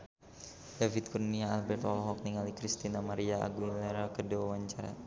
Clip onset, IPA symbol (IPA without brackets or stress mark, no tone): d